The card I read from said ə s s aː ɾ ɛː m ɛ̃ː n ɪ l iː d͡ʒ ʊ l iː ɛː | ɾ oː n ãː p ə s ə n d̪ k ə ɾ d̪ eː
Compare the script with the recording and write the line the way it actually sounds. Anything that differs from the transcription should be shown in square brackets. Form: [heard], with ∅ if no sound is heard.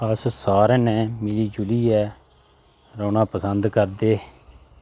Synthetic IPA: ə s s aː ɾ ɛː [n] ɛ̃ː [m] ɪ l iː d͡ʒ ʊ l iː ɛː | ɾ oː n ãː p ə s ə n d̪ k ə ɾ d̪ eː